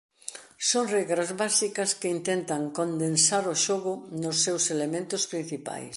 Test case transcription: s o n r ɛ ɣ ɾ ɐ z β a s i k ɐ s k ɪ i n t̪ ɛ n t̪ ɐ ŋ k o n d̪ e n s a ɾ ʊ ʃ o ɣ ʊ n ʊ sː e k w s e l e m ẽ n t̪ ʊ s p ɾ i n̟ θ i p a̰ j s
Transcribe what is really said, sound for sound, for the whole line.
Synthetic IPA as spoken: s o ŋ r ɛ ɣ ɾ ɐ z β a s i k ɐ s k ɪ i n t̪ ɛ n t̪ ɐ ŋ k o n d̪ e n s a ɾ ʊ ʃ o ɣ ʊ n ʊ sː e w s e l e m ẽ n t̪ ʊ s p ɾ i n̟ θ i p a̰ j s

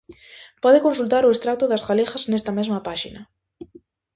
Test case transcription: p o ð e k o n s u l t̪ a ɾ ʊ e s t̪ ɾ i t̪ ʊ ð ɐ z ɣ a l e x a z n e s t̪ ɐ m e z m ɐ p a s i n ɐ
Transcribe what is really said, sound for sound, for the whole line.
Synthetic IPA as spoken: p ɔ ð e k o n s u l t̪ a ɾ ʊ e s t̪ ɾ a t̪ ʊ ð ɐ z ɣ a l e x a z n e s t̪ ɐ m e z m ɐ p a ʃ i n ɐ

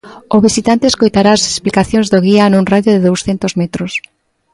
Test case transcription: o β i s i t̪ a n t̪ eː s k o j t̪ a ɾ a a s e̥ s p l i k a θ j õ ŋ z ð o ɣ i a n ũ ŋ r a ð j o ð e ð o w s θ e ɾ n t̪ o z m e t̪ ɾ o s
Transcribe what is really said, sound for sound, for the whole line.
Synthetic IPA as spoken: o β i s i t̪ a n t̪ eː s k o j t̪ a ɾ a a s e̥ s p l i k a θ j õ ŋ z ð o ɣ i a n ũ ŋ r a ð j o ð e ð o w s θ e n t̪ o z m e t̪ ɾ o s

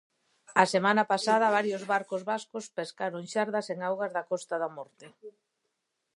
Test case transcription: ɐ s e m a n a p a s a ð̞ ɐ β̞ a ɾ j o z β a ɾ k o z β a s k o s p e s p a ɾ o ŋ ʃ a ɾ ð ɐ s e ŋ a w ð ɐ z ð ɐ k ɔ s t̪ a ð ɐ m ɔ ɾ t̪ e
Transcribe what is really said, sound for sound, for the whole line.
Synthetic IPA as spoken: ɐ s e m a n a p a s a ð̞ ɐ β̞ a ɾ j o z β a ɾ k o z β a s k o s p e s k a ɾ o ŋ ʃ a ɾ ð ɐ s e ŋ a w ɣ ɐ z ð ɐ k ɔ s t̪ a ð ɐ m ɔ ɾ t̪ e

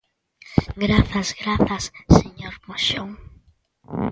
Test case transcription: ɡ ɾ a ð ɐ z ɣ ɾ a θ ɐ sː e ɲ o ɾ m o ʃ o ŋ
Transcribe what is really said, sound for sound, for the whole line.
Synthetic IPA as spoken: ɡ ɾ a θ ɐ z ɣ ɾ a θ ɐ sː e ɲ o ɾ m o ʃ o ŋ

